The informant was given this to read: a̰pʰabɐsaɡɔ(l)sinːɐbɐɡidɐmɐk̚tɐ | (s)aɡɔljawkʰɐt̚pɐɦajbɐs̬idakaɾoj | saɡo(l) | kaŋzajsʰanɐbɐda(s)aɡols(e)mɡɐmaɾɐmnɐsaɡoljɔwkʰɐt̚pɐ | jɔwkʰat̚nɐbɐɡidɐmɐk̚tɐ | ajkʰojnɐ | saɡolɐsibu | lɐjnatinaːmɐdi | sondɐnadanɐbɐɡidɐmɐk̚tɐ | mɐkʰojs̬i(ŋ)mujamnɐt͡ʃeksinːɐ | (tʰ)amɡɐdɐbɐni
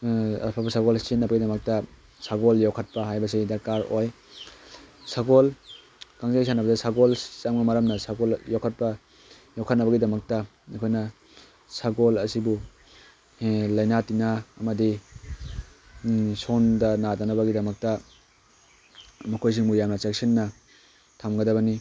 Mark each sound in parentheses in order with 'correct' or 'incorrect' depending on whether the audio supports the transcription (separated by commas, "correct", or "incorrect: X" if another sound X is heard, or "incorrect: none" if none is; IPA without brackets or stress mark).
correct, correct, correct, correct, incorrect: a, correct, correct